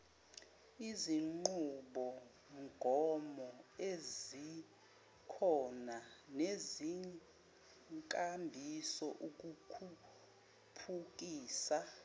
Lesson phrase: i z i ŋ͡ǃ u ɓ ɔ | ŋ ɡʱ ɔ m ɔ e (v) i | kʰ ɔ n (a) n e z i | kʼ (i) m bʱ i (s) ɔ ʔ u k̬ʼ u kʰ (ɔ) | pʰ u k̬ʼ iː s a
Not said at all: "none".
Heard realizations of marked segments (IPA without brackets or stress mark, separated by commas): z, a, a, s, u